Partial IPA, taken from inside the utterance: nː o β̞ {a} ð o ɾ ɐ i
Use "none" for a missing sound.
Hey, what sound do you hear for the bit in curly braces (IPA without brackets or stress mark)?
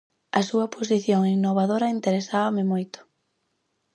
a